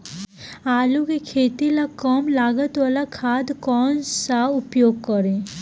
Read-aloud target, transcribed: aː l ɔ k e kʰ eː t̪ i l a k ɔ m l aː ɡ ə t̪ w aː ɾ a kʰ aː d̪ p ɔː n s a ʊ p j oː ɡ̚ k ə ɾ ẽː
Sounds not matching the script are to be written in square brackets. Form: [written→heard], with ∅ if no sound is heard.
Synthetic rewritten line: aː l [ɔ→u] k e kʰ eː t̪ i l a k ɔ m l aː ɡ ə t̪ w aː [ɾ→l] a kʰ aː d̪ [p→k] ɔː n s a ʊ p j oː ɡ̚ k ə ɾ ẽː